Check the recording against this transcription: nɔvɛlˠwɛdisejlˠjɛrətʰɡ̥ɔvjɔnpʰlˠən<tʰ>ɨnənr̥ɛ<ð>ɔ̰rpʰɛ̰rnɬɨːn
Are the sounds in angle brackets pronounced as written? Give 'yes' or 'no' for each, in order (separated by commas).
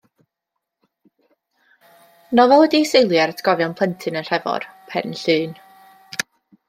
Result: yes, no